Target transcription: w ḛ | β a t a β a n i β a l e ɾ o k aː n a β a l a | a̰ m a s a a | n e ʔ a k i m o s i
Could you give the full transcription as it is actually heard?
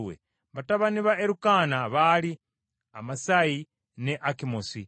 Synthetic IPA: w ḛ | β a t a β a n i β a e ɾ u k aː n a β a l i | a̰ m a s a i | n e ʔ a k i m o s i